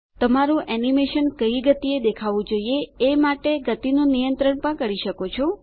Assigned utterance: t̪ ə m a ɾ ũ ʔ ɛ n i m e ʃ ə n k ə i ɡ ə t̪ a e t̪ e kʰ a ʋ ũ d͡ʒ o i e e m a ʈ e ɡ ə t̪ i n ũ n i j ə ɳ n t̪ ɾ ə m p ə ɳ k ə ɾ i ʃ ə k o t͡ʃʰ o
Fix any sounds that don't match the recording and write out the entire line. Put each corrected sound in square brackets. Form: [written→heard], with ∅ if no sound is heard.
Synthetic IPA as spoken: t̪ ə m a ɾ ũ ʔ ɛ n i m e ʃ ə n k ə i ɡ ə t̪ [a→i] e [t̪→d̪] e kʰ a ʋ ũ d͡ʒ o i e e m a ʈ e ɡ ə t̪ i n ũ n i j ə [ɳ→∅] n t̪ ɾ ə [m→ɳ] p ə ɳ k ə ɾ i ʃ ə k o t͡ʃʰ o